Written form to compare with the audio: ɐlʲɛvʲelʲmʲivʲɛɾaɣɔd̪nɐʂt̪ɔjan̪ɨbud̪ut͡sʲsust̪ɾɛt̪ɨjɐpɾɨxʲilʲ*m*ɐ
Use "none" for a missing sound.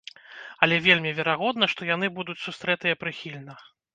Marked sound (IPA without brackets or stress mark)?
n